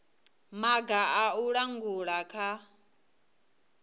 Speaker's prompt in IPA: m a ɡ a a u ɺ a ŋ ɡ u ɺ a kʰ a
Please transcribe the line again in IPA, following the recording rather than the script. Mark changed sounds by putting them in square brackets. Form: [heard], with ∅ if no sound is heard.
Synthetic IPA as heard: m a ɡ a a u ɺ a ŋ ɡ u ɺ a kʰ a